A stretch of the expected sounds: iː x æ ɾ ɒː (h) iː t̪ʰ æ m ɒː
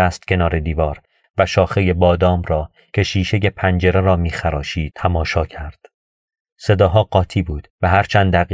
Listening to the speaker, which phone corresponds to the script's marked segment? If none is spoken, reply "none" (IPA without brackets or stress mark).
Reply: ʃ